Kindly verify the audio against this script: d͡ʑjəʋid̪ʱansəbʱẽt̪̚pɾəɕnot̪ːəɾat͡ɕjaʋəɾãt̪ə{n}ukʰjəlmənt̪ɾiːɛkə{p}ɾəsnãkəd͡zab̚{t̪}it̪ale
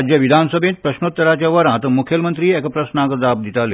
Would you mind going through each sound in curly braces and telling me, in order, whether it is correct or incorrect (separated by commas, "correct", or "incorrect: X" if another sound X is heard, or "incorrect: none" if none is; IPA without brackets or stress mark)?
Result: incorrect: m, correct, incorrect: d̪